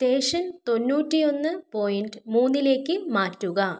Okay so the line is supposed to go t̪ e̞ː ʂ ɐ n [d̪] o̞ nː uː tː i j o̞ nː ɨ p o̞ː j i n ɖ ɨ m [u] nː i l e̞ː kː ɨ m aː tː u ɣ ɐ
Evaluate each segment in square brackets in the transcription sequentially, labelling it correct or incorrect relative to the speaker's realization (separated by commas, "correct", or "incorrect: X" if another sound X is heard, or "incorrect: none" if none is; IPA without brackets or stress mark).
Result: incorrect: t̪, incorrect: uː